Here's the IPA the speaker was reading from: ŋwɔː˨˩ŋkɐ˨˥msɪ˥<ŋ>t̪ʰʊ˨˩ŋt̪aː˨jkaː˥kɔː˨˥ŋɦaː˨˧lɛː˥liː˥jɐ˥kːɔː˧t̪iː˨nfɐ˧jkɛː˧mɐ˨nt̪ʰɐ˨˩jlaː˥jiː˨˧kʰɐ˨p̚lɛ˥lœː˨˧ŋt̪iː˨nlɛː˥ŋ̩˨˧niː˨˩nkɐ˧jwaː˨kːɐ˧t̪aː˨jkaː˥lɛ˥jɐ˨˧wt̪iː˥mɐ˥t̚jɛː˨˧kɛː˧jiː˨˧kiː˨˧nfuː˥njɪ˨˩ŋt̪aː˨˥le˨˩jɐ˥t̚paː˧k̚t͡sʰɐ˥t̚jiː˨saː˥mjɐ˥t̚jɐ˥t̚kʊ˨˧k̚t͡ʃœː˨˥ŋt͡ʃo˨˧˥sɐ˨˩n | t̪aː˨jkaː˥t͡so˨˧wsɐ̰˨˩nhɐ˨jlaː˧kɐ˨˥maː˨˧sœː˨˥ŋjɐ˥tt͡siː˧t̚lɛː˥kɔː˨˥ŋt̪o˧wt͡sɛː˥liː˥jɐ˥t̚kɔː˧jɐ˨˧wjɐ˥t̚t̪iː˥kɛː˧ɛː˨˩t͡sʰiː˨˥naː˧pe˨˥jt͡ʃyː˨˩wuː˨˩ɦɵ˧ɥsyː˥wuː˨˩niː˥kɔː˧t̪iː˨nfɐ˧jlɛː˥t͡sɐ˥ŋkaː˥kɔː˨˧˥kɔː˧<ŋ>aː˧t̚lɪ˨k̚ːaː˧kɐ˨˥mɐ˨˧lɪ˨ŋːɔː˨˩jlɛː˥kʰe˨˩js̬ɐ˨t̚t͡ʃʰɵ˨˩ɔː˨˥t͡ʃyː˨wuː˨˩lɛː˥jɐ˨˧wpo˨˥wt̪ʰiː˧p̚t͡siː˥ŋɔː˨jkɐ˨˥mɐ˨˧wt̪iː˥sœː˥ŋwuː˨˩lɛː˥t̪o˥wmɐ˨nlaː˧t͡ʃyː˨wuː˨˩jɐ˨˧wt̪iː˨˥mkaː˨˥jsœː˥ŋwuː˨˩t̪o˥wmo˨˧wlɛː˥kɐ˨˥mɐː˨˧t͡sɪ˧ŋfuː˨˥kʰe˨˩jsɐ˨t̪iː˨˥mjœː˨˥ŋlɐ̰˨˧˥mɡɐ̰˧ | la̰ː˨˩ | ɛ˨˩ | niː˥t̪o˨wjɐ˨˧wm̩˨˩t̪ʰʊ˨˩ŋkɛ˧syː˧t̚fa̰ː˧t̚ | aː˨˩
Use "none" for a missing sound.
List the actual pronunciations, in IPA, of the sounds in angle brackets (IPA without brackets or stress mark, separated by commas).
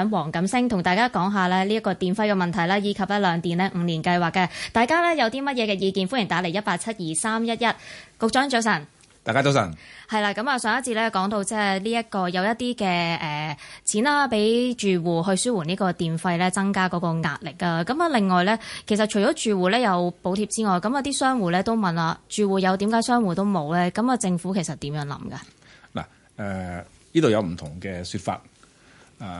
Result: ŋ, ŋ